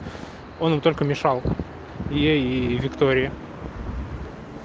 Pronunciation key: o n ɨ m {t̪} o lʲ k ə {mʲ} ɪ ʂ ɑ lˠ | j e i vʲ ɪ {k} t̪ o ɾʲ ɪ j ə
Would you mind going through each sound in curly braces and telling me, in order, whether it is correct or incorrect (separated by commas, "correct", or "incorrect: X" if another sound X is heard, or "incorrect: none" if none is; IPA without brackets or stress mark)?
correct, correct, correct